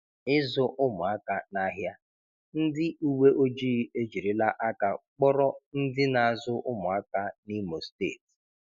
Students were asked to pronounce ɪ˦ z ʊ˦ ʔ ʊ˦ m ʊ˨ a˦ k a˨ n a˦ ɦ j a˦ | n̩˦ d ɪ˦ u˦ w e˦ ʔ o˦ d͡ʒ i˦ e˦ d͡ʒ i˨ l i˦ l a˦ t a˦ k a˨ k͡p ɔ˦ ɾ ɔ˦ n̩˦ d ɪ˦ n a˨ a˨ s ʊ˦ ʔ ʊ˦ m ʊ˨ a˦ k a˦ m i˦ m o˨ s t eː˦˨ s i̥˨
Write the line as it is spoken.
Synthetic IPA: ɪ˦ z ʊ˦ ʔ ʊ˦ m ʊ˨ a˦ k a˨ n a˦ ɦ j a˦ | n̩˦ d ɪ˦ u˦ w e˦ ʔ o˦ d͡ʒ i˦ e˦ d͡ʒ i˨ ɾ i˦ l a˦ ʔ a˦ k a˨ k͡p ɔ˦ ɾ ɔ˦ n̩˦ d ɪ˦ n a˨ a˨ z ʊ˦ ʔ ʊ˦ m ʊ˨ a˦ k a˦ n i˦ m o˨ s t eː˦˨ t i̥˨